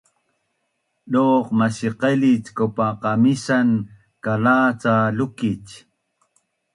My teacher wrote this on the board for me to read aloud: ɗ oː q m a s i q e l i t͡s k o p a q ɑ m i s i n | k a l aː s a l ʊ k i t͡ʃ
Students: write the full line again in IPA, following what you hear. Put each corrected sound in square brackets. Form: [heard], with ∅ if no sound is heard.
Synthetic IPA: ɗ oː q m a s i q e l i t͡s k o p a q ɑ m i s [a] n | k a l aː [t͡s] a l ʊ k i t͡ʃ